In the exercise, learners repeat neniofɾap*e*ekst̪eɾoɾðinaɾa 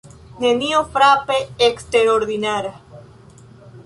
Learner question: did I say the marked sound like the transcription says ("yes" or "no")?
yes